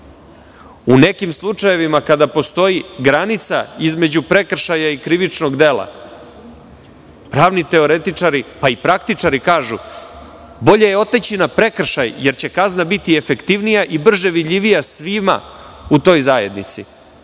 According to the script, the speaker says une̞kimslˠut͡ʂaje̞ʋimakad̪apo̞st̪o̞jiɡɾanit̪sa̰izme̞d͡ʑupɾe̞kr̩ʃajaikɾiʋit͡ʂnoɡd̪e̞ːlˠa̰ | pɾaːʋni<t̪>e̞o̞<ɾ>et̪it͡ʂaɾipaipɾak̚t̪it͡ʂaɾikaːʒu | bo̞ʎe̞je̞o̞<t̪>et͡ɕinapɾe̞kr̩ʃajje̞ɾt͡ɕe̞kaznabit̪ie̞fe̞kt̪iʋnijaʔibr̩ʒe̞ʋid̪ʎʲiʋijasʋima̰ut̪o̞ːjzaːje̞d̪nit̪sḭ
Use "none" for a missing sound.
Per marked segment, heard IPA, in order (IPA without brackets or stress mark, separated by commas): t̪, ɾ, t̪